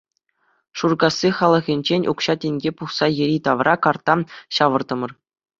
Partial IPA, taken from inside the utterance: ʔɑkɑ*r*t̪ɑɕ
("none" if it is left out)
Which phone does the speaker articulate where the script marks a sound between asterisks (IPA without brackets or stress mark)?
r